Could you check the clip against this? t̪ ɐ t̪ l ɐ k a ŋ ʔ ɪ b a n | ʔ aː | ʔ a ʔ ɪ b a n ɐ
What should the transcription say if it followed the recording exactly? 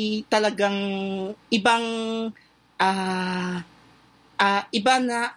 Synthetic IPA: t̪ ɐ l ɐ ɡ a ŋ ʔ ɪ b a ŋ | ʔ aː | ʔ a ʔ ɪ b a n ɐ